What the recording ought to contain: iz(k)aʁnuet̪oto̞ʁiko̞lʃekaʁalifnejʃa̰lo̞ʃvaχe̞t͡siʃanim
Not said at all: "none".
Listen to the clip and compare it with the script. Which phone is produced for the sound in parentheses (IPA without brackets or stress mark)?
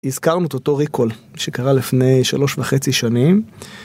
k